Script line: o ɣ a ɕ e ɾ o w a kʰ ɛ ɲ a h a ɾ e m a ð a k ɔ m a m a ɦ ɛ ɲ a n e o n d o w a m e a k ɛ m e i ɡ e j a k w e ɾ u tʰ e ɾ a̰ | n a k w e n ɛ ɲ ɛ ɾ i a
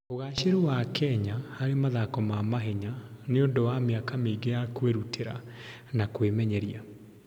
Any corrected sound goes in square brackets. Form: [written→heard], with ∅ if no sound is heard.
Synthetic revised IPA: o ɣ a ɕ e ɾ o w a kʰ ɛ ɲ a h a ɾ e m a ð a k ɔ m a m a ɦ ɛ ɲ a n e o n d o w a m e a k [ɛ→a] m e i ɡ e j a k w e ɾ u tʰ e ɾ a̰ | n a k w e [n→m] ɛ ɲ ɛ ɾ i a